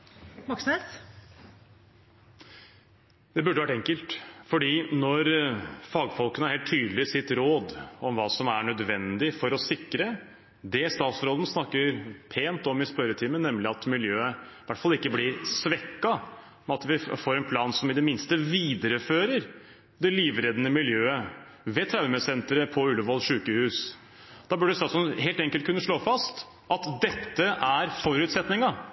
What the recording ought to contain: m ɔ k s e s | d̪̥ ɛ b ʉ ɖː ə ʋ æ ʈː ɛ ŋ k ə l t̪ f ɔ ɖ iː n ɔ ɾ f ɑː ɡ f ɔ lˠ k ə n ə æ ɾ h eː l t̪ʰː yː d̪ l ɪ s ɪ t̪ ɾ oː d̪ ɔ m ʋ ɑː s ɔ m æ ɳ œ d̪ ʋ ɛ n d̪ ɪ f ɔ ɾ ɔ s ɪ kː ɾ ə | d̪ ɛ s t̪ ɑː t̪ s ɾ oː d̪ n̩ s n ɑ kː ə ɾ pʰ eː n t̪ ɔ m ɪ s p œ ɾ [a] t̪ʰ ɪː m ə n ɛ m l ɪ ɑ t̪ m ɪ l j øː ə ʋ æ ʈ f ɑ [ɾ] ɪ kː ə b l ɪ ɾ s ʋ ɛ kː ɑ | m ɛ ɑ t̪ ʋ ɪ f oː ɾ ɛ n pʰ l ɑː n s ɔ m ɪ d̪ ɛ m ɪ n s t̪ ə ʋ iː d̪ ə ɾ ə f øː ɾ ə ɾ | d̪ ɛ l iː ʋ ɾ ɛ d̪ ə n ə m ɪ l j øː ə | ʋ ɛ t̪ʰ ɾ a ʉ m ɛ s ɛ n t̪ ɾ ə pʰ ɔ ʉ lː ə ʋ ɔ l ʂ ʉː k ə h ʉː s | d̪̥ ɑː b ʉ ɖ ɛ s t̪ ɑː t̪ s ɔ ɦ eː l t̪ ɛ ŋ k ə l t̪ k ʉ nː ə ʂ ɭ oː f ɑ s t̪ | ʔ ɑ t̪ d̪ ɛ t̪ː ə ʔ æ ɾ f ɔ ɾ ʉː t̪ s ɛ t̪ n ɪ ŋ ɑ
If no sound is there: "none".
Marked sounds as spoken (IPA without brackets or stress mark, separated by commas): ə, l